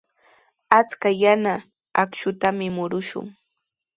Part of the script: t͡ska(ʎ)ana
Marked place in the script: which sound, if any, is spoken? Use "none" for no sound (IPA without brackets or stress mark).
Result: j